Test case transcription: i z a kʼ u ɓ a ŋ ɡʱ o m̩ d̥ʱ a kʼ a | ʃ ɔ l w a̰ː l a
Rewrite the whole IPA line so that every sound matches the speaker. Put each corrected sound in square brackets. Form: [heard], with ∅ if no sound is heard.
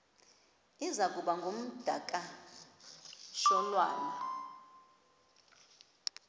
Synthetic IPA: i z a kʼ u ɓ a ŋ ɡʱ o m̩ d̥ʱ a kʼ a | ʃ ɔ l w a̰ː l a

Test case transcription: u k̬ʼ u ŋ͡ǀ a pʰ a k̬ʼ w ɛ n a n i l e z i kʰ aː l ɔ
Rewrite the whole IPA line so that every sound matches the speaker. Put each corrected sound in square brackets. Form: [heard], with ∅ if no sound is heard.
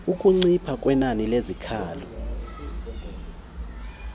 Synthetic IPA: u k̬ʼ u ŋ͡ǀ [i] pʰ a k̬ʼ w ɛ n a n i l e z i kʰ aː l ɔ

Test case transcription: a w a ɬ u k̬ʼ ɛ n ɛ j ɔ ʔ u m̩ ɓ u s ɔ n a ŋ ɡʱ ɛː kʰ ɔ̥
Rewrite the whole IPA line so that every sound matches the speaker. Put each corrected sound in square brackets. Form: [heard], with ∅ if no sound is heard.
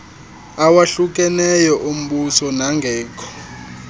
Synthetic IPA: a w a ɬ u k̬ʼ ɛ n ɛ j ɔ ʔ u m̩ ɓ u s ɔ n a ŋ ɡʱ ɛː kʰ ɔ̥

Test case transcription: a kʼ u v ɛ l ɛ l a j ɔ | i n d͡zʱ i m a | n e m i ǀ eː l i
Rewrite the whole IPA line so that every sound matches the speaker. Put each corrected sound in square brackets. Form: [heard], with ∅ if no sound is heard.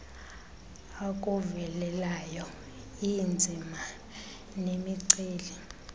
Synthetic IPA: a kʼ u v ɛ l ɛ l a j ɔ | i n d͡zʱ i m a | n e m i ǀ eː l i

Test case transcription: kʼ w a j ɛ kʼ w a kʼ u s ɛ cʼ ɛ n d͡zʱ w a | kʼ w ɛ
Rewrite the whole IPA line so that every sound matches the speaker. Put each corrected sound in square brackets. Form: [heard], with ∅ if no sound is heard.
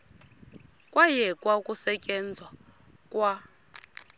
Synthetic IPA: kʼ w a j ɛ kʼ w a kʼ u s ɛ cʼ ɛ n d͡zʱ w a | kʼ w [a]

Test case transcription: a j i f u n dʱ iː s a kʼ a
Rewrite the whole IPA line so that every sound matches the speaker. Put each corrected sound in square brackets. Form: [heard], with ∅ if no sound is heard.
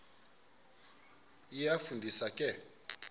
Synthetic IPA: [i] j [a] f u n dʱ [i] s a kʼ [ɛ]

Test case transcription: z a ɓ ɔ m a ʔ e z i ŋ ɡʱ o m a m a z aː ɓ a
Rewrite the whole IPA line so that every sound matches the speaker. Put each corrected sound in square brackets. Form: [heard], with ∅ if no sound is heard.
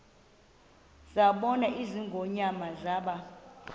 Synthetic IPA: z a ɓ ɔ [n] a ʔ [i] z i ŋ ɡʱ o [ɲ] a m a z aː ɓ a

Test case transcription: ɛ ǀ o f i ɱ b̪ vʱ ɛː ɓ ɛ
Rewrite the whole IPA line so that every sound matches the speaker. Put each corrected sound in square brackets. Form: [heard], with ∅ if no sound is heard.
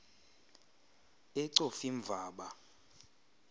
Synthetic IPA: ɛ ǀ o f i ɱ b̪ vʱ [aː] ɓ [a]

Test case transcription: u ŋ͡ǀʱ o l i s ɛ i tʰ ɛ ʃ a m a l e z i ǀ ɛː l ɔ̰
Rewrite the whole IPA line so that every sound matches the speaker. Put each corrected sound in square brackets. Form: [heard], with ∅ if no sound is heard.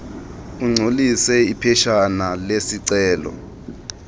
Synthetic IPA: u ŋ͡ǀʱ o l i s ɛ i [pʰ] ɛ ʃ a [n] a l e [s] i ǀ ɛː l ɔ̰

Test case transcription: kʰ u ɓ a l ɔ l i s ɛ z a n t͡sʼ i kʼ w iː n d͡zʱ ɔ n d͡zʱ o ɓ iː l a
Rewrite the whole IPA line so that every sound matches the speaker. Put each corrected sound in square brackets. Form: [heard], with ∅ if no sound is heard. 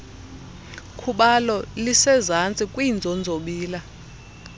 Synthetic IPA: kʰ u ɓ a l ɔ l i s ɛ z a n t͡sʼ i kʼ w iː n d͡zʱ ɔ n d͡zʱ o ɓ iː l a

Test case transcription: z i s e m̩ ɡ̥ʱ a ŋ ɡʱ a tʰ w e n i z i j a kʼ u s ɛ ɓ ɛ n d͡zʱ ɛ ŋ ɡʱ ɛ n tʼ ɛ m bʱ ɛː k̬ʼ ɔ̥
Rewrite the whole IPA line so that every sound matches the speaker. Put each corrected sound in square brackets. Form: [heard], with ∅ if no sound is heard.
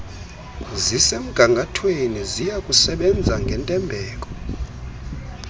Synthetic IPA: z i s e m̩ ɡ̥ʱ a ŋ ɡʱ a tʰ w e n i z i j a kʼ u s ɛ ɓ ɛ n d͡zʱ [a] ŋ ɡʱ ɛ n tʼ ɛ m bʱ ɛː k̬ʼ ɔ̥

